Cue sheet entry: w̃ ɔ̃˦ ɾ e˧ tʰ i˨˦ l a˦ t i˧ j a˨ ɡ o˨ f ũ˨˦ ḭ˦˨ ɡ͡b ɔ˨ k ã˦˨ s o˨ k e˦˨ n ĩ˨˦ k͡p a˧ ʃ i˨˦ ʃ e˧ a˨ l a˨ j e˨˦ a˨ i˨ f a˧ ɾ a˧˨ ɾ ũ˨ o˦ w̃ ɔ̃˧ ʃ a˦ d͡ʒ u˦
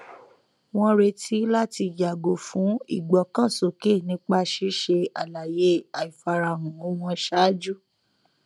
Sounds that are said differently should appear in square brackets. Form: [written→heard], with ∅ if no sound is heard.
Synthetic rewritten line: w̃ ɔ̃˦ ɾ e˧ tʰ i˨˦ l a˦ t i˧ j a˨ ɡ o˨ f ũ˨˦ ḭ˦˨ ɡ͡b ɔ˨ k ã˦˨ s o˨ k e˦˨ n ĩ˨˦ k͡p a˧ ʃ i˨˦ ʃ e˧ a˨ l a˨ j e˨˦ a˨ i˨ f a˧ ɾ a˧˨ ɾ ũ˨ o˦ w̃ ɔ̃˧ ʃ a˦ d͡ʒ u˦